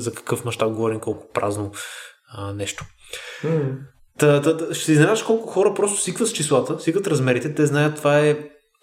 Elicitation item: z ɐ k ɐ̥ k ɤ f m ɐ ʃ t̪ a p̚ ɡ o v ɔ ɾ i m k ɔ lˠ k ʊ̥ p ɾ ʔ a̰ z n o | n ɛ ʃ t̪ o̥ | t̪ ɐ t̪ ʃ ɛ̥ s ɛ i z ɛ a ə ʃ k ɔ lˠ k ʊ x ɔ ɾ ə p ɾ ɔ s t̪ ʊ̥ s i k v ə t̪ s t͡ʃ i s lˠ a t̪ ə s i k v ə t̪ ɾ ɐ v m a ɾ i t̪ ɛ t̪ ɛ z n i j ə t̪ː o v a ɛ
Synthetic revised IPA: z ɐ k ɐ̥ k ɤ f m ɐ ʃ t̪ a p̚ ɡ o v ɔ ɾ i m k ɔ lˠ k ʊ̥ p ɾ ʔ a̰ z n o | n ɛ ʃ t̪ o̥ | t̪ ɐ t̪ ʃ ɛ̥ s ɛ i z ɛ a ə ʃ k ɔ lˠ k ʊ x ɔ ɾ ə p ɾ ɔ s t̪ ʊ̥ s i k v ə t̪ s t͡ʃ i s lˠ a t̪ ə s i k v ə t̪ ɾ ɐ z m ɛ ɾ i t̪ ɛ t̪ ɛ z n a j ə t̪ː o v a ɛ